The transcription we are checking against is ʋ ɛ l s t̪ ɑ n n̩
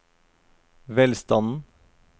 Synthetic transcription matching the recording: ʋ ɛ l s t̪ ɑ n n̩